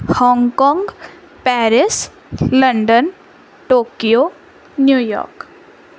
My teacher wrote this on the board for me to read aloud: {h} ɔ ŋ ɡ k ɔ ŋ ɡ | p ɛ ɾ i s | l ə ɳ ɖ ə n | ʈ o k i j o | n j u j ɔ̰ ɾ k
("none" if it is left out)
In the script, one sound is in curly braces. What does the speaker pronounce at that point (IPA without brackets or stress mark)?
h